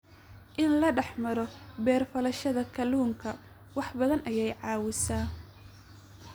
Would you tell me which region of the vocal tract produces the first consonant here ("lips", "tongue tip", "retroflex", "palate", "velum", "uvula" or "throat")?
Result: throat